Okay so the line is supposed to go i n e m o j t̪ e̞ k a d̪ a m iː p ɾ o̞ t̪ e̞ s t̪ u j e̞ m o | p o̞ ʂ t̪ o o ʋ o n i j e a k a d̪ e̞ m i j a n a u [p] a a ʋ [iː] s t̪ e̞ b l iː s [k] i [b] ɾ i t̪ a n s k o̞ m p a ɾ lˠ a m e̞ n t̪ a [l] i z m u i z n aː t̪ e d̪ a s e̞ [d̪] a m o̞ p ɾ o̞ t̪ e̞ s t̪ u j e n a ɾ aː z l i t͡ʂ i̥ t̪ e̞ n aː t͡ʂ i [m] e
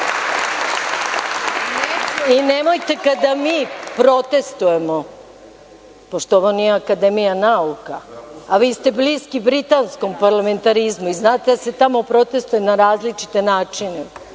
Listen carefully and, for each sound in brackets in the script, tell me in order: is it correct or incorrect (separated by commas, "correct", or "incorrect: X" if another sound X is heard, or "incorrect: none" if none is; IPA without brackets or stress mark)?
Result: incorrect: k, correct, correct, correct, incorrect: ɾ, incorrect: t̪, incorrect: n